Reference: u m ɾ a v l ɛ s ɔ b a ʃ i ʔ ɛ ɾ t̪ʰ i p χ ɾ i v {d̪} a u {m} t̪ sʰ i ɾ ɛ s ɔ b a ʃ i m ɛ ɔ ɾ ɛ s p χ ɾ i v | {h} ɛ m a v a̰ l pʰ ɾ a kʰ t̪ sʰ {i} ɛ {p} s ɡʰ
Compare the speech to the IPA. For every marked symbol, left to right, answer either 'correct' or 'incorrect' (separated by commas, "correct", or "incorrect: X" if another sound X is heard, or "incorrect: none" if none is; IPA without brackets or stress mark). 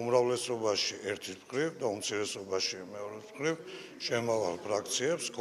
correct, correct, incorrect: ʃ, correct, correct